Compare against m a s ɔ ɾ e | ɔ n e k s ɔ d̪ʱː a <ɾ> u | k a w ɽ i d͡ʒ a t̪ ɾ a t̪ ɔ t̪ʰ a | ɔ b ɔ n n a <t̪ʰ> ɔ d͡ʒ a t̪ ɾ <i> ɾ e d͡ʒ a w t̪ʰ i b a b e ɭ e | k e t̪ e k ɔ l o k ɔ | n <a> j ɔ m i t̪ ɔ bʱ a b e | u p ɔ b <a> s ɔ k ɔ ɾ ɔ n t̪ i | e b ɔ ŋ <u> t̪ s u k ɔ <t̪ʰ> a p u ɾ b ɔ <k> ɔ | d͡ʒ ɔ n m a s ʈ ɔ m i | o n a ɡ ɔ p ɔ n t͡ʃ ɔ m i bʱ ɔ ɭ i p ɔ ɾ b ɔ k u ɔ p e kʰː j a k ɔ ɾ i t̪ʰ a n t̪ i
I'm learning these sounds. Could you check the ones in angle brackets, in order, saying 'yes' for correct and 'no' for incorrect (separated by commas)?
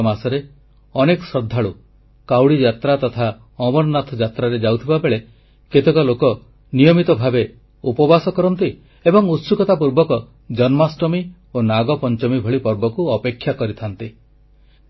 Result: no, yes, no, no, yes, yes, no, yes